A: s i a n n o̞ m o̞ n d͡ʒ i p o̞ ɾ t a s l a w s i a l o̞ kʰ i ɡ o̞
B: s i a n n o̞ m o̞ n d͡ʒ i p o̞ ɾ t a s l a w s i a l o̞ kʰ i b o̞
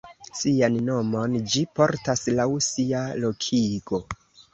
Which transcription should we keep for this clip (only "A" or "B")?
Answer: A